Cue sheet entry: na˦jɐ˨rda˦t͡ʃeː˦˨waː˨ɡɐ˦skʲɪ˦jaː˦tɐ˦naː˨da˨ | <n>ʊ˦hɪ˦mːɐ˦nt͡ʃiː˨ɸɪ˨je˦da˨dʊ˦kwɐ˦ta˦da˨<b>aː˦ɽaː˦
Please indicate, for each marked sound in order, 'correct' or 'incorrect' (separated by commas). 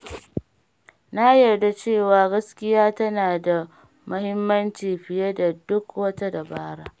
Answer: incorrect, correct